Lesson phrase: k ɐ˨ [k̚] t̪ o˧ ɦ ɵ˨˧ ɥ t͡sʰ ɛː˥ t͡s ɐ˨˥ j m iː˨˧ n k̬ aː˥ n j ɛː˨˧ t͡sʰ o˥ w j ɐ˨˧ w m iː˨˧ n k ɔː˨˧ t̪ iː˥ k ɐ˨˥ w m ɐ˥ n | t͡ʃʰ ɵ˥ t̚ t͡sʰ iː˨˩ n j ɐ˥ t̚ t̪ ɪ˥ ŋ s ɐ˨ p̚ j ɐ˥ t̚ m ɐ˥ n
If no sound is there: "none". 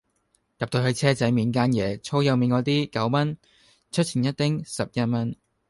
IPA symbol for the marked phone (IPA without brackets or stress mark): p̚